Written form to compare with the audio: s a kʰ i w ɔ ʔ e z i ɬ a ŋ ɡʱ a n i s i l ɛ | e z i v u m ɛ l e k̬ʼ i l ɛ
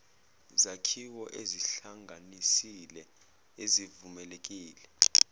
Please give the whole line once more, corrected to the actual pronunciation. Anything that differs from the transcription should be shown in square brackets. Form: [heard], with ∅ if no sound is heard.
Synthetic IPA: [z] a kʰ i w ɔ ʔ e z i ɬ a ŋ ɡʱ a n i s i l ɛ | e z i v u m ɛ l e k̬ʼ [iː] l ɛ